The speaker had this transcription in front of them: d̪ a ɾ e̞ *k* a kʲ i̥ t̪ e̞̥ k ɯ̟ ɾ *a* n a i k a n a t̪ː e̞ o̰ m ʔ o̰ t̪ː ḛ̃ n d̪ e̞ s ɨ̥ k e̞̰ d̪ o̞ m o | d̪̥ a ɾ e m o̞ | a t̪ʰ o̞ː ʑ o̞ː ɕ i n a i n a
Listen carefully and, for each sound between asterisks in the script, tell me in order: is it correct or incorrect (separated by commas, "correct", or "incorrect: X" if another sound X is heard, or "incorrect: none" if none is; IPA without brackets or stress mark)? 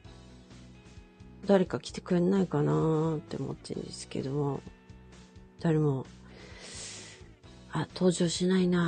correct, incorrect: e